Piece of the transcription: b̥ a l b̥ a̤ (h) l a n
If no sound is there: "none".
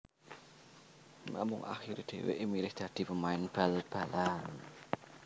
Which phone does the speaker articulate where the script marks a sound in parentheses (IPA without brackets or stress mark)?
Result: none